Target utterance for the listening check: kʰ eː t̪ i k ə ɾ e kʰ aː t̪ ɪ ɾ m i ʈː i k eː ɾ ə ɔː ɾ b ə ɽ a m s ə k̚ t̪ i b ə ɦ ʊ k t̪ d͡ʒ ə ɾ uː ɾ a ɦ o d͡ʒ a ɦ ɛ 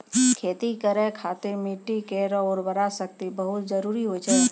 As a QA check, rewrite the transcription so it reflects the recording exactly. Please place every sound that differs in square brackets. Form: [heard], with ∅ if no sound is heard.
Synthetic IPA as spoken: kʰ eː t̪ i k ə ɾ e kʰ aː t̪ ɪ ɾ m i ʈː i k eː ɾ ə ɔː ɾ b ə [ɾ] a [∅] s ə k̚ t̪ i b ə ɦ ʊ [∅] t̪ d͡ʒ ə ɾ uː ɾ [i] ɦ o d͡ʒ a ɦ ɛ